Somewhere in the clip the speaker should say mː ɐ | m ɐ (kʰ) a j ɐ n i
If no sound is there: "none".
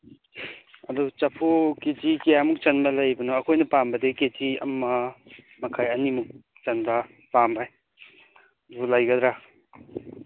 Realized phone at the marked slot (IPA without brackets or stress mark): kʰ